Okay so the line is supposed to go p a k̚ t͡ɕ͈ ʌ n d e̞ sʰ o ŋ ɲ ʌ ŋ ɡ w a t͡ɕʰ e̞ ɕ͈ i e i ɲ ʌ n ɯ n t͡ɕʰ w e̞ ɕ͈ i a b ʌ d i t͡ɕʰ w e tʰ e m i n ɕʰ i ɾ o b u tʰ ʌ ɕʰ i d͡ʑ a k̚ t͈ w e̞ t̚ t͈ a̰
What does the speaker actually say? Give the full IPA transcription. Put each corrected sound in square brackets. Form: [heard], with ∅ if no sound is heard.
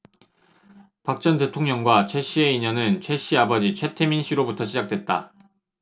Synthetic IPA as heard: p a k̚ t͡ɕ͈ ʌ n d e̞ [tʰ] o ŋ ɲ ʌ ŋ ɡ w a t͡ɕʰ e̞ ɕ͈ i e i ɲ ʌ n ɯ n t͡ɕʰ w e̞ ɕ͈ i a b ʌ [d͡ʑ] i t͡ɕʰ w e tʰ e m i n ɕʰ i ɾ o b u tʰ ʌ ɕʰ i d͡ʑ a k̚ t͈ w e̞ t̚ t͈ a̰